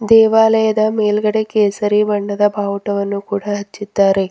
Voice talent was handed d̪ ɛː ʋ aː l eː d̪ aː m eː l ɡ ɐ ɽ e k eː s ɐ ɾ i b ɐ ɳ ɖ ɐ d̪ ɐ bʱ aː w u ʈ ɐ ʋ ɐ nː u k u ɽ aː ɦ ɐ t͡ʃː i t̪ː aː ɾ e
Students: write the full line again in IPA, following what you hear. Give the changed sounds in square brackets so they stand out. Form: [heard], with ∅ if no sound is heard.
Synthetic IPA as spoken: d̪ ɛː ʋ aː l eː d̪ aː m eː l ɡ ɐ ɽ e k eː s ɐ ɾ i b ɐ ɳ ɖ ɐ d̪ ɐ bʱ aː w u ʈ ɐ ʋ ɐ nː u k [uː] ɽ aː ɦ ɐ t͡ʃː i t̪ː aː ɾ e